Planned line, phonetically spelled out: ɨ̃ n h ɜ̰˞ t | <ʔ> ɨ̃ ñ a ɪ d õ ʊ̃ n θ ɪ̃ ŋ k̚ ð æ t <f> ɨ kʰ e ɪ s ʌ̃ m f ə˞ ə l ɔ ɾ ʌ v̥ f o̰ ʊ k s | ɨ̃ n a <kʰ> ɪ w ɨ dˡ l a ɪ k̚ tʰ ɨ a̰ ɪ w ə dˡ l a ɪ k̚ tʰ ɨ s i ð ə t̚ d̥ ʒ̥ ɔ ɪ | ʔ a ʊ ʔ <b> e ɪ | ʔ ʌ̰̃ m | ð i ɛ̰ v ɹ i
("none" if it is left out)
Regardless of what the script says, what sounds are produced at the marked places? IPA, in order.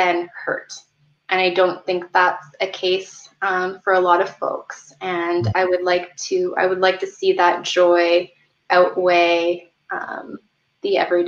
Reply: ʔ, s, none, w

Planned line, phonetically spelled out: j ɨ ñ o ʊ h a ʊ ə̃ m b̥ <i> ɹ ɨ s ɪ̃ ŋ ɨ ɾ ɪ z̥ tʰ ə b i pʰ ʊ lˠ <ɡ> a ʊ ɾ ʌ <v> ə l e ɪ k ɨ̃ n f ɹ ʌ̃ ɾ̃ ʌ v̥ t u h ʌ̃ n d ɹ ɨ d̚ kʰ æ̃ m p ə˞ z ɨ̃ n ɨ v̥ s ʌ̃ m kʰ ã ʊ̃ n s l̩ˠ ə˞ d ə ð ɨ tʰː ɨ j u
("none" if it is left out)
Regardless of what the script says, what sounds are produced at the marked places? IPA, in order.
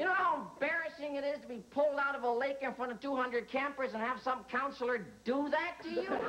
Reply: ɛ, d, v

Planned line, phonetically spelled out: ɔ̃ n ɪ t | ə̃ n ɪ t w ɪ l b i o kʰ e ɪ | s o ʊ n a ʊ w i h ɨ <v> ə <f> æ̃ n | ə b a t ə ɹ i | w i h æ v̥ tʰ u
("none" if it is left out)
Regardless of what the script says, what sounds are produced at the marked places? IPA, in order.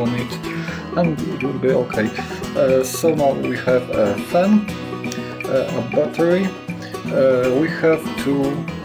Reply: v, f

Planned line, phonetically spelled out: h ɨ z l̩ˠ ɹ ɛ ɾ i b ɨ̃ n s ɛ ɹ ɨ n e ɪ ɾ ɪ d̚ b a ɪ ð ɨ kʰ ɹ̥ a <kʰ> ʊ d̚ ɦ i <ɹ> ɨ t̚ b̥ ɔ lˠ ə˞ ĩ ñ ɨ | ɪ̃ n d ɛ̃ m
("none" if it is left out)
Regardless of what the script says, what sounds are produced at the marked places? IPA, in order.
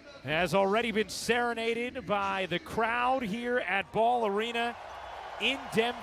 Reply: none, ɹ

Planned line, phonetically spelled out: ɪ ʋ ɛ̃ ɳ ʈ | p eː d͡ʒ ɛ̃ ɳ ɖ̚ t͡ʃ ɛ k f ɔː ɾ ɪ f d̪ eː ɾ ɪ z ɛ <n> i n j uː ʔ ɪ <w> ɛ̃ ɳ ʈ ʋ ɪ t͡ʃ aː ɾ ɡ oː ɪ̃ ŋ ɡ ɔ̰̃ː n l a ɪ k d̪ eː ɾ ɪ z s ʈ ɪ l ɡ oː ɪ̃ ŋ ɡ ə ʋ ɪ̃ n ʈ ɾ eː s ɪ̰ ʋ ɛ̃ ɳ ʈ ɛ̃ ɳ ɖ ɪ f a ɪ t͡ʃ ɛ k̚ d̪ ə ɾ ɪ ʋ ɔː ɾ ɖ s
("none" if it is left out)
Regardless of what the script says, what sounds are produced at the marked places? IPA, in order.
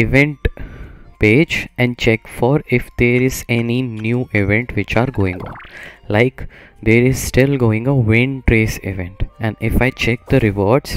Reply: n, ʋ

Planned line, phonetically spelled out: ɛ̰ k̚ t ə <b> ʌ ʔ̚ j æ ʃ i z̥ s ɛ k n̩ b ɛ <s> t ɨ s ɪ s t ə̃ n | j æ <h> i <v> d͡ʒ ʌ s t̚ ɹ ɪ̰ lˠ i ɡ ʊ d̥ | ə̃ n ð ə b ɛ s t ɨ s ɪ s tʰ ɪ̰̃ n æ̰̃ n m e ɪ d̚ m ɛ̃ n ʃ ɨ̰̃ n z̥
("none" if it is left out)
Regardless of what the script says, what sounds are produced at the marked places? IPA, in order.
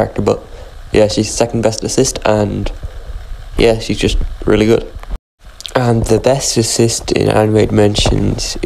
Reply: b, s, ʃ, z

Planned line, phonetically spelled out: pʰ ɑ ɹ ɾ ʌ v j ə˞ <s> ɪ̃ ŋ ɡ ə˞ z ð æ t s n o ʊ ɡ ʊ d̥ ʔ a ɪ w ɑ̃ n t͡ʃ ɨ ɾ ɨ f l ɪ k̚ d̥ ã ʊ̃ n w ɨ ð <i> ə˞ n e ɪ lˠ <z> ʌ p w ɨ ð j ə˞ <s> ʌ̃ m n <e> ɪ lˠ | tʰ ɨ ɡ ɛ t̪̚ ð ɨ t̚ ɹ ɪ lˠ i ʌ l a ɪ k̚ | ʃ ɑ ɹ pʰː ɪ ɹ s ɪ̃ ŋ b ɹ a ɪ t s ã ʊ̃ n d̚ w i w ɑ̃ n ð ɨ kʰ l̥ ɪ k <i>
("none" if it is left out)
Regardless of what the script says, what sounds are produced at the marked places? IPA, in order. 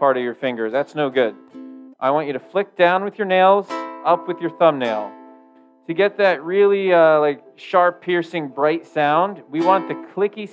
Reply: f, j, z, θ, e, i

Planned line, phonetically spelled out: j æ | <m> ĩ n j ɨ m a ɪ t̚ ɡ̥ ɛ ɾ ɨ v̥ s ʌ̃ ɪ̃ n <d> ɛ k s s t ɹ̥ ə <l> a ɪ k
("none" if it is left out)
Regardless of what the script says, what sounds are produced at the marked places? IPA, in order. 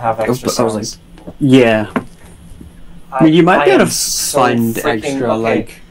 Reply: m, d, l

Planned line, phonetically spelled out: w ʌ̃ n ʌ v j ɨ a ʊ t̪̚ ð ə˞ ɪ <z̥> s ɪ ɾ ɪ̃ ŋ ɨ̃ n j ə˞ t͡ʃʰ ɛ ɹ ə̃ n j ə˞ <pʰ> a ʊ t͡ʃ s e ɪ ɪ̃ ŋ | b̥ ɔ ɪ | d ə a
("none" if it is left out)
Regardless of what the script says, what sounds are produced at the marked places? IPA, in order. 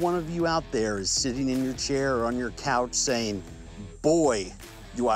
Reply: z̥, kʰ

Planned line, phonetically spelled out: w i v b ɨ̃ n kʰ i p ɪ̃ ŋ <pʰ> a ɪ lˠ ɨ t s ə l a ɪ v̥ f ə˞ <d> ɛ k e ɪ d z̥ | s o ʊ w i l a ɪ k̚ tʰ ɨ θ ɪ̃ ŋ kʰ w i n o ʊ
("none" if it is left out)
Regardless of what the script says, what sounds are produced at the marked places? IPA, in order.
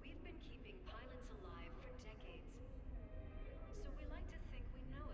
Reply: pʰ, d

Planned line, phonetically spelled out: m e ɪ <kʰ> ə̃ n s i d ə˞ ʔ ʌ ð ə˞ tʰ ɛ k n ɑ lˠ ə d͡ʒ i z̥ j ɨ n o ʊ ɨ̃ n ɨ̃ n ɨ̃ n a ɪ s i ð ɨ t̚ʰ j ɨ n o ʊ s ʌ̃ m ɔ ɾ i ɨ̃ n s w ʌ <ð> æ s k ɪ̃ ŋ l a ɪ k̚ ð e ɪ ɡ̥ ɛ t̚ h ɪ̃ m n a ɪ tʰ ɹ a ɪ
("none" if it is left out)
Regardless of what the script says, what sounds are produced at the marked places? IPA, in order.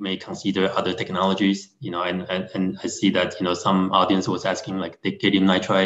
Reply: kʰ, z

